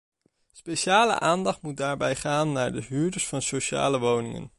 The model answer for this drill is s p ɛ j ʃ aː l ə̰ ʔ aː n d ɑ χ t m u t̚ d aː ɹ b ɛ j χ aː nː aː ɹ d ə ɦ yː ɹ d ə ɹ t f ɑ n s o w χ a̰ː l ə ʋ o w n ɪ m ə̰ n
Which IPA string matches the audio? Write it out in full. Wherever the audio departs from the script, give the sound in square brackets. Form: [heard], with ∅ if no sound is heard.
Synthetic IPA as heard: s p [e] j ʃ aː l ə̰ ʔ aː n d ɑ χ t m u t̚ d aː ɹ b ɛ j χ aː nː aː ɹ d ə ɦ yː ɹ d ə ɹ [s] f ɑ n s o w [ʃ] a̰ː l ə ʋ o w n ɪ [ŋ] ə̰ n